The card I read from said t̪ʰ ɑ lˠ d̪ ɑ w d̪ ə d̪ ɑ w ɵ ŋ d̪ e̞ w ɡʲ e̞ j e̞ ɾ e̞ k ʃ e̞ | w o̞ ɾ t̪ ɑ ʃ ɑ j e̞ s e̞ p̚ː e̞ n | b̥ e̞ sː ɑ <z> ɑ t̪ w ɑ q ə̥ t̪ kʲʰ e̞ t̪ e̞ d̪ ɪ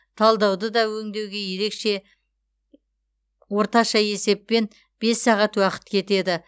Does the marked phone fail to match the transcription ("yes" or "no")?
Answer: yes